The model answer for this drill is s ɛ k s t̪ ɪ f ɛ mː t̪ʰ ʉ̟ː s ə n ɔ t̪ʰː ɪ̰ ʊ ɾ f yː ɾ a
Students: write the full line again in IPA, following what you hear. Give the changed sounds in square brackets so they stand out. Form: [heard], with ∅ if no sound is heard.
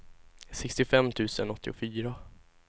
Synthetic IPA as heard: s ɛ k s t̪ ɪ f ɛ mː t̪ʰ ʉ̟ː s ə n ɔ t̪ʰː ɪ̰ ʊ [∅] f yː ɾ a